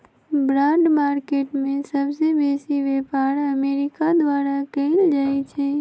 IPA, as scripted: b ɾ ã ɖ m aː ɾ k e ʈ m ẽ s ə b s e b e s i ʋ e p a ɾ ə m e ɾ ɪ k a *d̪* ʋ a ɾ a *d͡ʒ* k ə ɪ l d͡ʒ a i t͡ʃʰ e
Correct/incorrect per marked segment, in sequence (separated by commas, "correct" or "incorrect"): correct, incorrect